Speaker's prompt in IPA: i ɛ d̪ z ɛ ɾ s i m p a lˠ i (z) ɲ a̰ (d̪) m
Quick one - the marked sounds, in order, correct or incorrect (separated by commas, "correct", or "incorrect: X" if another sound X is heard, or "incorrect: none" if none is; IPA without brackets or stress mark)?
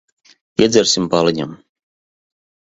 incorrect: none, incorrect: none